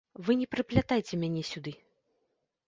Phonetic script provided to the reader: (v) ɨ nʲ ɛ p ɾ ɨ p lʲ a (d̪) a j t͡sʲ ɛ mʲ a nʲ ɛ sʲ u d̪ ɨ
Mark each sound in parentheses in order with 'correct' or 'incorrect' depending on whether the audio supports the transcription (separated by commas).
correct, incorrect